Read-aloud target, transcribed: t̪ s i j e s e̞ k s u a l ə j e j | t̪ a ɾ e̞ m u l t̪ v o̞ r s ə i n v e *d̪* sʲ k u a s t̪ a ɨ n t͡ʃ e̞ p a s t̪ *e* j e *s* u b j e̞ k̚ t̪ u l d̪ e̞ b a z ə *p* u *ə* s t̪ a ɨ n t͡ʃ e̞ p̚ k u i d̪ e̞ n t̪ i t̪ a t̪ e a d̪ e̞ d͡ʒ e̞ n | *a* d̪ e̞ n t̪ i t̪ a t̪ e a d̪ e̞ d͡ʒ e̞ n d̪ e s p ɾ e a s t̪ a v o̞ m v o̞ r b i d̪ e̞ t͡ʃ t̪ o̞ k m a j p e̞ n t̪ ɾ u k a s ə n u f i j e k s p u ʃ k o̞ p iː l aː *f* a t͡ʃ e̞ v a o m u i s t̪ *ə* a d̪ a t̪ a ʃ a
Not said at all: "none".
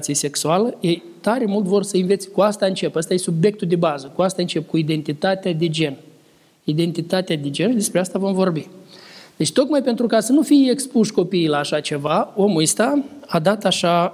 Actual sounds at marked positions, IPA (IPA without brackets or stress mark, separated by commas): t̪, a, s, k, a, i, ʃ, a